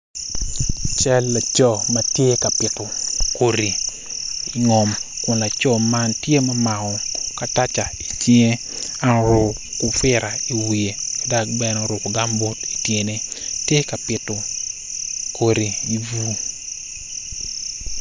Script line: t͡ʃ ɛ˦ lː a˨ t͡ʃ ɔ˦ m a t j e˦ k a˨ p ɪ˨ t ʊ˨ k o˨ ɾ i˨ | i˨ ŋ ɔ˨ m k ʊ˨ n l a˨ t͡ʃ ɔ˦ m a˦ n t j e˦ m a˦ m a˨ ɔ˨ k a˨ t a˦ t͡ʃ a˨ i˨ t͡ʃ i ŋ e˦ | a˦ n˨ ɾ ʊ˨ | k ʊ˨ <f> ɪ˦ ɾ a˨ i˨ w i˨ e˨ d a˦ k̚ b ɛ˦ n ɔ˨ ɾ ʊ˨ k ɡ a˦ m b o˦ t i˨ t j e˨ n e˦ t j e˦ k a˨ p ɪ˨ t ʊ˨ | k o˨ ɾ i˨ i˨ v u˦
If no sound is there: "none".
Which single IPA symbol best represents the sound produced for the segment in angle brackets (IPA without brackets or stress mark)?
f